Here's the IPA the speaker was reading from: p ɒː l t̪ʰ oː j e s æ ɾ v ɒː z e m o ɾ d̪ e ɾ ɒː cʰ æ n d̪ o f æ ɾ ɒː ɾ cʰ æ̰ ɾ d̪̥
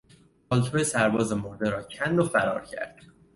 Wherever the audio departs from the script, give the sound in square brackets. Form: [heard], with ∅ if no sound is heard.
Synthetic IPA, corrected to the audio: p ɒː l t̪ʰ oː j e s æ ɾ [b] ɒː z e m o ɾ d̪ e ɾ ɒː cʰ æ n d̪ o f æ ɾ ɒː ɾ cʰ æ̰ ɾ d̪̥

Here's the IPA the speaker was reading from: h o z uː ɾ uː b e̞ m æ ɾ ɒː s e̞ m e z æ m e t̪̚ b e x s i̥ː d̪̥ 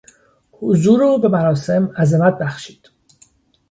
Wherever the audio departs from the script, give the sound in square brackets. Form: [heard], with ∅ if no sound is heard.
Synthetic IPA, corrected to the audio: h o z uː ɾ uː b e̞ m æ ɾ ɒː s e̞ m [æ] z [e] m [æ] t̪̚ b [æ] x [ʃ] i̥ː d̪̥

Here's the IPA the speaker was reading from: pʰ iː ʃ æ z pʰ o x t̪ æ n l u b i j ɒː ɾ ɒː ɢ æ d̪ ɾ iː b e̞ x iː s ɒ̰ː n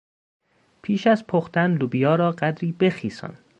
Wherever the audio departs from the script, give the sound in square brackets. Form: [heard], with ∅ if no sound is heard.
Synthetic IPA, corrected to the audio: pʰ iː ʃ æ z pʰ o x t̪ æ n l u b i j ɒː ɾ ɒː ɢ æ d̪ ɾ iː b e̞ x iː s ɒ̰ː n

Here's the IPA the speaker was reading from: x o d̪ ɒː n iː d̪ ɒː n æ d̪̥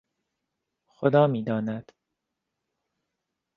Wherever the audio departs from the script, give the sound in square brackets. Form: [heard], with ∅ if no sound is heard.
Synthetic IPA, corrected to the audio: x o d̪ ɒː [m] iː d̪ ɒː n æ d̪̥

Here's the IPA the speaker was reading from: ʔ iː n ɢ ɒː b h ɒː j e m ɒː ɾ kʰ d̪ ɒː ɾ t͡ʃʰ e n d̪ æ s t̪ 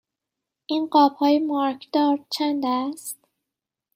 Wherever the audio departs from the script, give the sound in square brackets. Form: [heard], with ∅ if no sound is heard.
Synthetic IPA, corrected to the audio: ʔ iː n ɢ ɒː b h ɒː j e m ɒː ɾ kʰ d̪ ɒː ɾ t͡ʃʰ [æ] n d̪ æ s t̪

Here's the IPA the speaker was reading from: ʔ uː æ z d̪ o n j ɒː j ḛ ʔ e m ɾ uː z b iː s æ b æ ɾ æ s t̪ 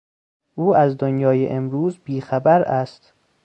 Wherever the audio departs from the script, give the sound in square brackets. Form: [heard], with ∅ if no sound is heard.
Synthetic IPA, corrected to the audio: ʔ uː æ z d̪ o n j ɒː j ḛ ʔ e m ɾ uː z b iː [x] æ b æ ɾ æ s t̪

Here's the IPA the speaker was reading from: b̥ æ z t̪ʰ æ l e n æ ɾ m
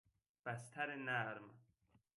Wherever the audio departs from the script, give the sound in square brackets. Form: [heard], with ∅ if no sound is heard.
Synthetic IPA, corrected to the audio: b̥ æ [s] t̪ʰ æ [ɾ] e n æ ɾ m

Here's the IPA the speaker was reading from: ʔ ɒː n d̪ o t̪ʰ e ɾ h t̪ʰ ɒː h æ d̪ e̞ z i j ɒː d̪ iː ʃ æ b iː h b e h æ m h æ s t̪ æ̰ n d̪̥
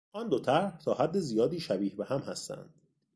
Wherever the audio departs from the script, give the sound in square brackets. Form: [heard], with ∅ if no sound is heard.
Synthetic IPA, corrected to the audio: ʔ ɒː n d̪ o t̪ʰ [æ] ɾ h t̪ʰ ɒː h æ [d̪ː] e̞ z i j ɒː d̪ iː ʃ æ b iː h b e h æ m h æ s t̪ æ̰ n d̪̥

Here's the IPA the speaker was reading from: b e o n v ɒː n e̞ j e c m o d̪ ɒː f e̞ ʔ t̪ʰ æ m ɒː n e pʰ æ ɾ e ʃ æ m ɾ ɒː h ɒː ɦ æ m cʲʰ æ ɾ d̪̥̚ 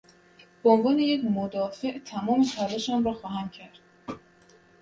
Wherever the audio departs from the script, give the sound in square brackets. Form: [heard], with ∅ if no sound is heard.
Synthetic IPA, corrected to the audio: b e o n v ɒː n e̞ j e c m o d̪ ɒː f e̞ ʔ t̪ʰ æ m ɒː [m] e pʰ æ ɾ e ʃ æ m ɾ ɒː [x] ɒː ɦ æ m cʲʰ æ ɾ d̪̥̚

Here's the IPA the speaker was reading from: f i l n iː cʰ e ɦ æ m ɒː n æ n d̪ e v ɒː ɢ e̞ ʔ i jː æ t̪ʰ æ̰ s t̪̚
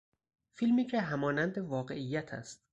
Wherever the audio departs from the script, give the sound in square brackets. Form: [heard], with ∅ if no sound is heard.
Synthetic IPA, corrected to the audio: f i l [m] iː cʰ e ɦ æ m ɒː n æ n d̪ e v ɒː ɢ e̞ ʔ i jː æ t̪ʰ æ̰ s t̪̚

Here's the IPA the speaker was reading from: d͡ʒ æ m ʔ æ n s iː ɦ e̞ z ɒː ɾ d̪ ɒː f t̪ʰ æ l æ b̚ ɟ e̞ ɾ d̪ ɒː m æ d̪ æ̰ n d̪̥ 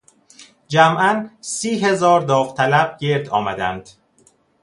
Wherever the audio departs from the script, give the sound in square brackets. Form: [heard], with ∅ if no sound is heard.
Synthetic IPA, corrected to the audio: d͡ʒ æ m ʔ æ n s iː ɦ e̞ z ɒː ɾ d̪ ɒː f t̪ʰ æ l æ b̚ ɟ e̞ ɾ d̪ ɒː m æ d̪ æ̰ n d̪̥

